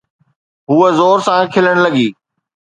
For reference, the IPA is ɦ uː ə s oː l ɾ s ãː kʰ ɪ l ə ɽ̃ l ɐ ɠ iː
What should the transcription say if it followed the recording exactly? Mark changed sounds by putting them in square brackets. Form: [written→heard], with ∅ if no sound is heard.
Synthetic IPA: ɦ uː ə [s→z] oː [l→∅] ɾ s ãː kʰ ɪ l ə ɽ̃ l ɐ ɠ iː

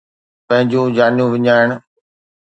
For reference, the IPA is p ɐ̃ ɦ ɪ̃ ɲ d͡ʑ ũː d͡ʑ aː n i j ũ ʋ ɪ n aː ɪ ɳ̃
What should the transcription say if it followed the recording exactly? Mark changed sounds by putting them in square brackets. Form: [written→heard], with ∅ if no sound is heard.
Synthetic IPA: p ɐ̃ ɦ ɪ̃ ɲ d͡ʑ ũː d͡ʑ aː n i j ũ ʋ ɪ [n→ɲ] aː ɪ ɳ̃

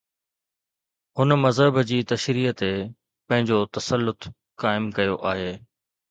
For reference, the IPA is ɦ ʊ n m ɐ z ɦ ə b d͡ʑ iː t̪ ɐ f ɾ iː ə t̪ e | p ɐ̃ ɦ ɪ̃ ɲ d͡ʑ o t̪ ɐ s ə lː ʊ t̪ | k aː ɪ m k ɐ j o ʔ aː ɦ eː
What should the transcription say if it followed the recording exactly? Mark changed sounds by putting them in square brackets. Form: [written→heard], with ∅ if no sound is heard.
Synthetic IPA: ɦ ʊ n m ɐ z ɦ ə b d͡ʑ iː t̪ ɐ [f→ʃ] ɾ iː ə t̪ e | p ɐ̃ ɦ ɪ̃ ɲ d͡ʑ o t̪ ɐ s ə lː ʊ t̪ | k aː ɪ m k ɐ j o ʔ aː ɦ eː

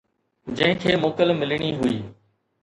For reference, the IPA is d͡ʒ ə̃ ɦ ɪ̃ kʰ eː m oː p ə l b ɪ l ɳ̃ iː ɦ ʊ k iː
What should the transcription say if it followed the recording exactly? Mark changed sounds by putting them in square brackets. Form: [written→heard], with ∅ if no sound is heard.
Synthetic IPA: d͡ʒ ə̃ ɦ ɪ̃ kʰ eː m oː [p→k] ə l [b→m] ɪ l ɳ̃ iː ɦ ʊ [k→∅] iː

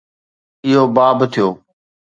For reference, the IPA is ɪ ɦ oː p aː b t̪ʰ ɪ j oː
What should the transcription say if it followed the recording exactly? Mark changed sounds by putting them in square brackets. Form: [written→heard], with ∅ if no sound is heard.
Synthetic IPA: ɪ ɦ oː [p→b] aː b t̪ʰ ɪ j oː

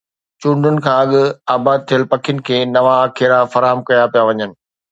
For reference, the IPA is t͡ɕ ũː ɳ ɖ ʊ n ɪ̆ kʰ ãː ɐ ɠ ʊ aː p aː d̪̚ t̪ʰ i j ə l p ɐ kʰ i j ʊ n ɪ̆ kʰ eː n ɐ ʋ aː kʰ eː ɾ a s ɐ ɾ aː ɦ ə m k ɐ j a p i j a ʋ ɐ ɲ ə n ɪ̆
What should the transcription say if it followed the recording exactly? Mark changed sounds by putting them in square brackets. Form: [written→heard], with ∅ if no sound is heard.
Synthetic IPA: t͡ɕ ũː ɳ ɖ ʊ n ɪ̆ kʰ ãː ɐ ɠ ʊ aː [p→b] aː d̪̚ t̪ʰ i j ə l p ɐ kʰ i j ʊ n ɪ̆ kʰ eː n ɐ ʋ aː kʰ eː ɾ a [s→f] ɐ ɾ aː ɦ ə m k ɐ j a p i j a ʋ ɐ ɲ ə n ɪ̆

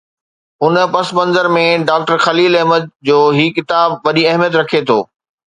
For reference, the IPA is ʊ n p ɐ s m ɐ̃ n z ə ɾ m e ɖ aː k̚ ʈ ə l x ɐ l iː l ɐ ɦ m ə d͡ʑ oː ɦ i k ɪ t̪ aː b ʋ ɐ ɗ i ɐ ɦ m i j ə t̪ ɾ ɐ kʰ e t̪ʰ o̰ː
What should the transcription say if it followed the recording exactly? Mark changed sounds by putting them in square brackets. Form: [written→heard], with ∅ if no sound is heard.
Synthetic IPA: ʊ n p ɐ s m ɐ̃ n z ə ɾ m [e→ẽ] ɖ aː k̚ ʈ ə [l→ɾ] x ɐ l iː l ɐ ɦ m ə d͡ʑ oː ɦ i k ɪ t̪ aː b ʋ ɐ ɗ i ɐ ɦ m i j ə t̪ ɾ ɐ kʰ e t̪ʰ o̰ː

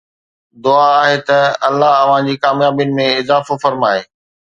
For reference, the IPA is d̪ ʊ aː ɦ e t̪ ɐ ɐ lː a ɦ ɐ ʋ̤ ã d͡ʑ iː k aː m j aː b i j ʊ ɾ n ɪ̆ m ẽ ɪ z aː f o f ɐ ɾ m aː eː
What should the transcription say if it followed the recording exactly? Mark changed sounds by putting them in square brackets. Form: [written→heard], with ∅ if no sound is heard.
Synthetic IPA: d̪ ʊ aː ɦ e t̪ ɐ ɐ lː a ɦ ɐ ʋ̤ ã d͡ʑ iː k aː m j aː b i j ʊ [ɾ→∅] n ɪ̆ m ẽ ɪ z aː f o f ɐ ɾ m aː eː

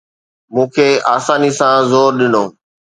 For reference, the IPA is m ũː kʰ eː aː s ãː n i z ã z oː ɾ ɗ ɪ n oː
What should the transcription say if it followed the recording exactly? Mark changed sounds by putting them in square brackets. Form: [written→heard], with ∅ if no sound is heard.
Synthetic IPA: m ũː kʰ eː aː s [ãː→aː] n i [z→s] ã z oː ɾ ɗ ɪ n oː

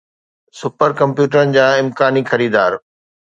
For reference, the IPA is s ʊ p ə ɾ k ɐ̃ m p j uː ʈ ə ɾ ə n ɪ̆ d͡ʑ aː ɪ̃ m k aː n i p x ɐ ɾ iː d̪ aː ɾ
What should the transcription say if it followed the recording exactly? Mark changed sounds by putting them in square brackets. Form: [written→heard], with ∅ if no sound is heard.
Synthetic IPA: s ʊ p ə ɾ k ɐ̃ m p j uː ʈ ə ɾ ə n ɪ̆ d͡ʑ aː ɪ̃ m k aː n i [p→∅] x ɐ ɾ iː d̪ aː ɾ

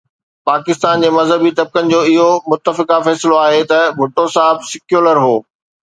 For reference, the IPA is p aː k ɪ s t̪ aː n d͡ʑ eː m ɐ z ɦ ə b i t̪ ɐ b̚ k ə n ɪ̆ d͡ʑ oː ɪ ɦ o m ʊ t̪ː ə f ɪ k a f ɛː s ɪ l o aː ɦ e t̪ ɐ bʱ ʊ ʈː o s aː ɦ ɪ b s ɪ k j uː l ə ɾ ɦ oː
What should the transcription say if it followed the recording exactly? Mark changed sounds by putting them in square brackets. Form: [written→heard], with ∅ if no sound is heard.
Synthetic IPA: p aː k ɪ s t̪ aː n d͡ʑ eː m ɐ z ɦ ə b i t̪ ɐ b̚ k ə n ɪ̆ d͡ʑ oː ɪ ɦ o m ʊ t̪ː ə f ɪ k a f ɛː s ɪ l o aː ɦ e t̪ ɐ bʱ ʊ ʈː o s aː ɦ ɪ b s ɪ k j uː l ə ɾ ɦ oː

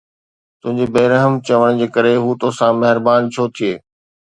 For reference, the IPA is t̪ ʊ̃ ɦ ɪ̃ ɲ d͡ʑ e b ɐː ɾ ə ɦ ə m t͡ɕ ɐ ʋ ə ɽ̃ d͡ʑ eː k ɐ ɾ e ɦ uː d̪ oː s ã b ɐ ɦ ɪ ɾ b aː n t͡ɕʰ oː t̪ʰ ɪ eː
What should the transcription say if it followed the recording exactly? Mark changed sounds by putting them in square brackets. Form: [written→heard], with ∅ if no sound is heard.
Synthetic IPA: t̪ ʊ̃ ɦ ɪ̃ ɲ d͡ʑ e b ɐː ɾ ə ɦ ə m t͡ɕ ɐ ʋ ə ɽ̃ d͡ʑ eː k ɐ ɾ e ɦ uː [d̪→t̪] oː s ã [b→m] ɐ ɦ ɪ ɾ b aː n t͡ɕʰ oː t̪ʰ [ɪ→i] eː

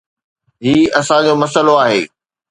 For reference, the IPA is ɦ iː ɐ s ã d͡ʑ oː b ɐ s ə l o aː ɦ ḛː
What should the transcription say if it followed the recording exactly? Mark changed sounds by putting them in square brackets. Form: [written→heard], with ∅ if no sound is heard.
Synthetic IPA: ɦ iː ɐ s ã d͡ʑ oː [b→m] ɐ s ə l o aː ɦ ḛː

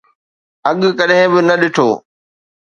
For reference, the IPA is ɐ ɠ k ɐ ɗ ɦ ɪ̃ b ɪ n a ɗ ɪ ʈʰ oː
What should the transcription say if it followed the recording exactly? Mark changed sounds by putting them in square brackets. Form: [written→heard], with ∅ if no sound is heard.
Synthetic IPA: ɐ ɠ k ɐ ɗ ɦ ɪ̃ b ɪ n [a→ɐ] ɗ ɪ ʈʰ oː

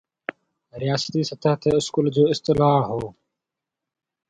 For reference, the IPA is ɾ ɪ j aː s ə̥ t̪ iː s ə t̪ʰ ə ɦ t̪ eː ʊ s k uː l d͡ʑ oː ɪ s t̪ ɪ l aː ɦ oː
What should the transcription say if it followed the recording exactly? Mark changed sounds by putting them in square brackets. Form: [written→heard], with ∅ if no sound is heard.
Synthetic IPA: ɾ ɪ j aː s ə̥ t̪ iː s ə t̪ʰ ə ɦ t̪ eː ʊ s k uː l d͡ʑ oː ɪ s t̪ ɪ l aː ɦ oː

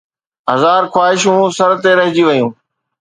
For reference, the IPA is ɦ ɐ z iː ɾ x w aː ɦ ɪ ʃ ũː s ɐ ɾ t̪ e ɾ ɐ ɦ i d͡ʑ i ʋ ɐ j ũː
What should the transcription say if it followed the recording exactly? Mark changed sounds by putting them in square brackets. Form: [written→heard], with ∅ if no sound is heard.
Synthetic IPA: ɦ ɐ z [iː→aː] ɾ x w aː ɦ ɪ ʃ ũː s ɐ ɾ t̪ e ɾ ɐ ɦ [i→ɪ] d͡ʑ i ʋ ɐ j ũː

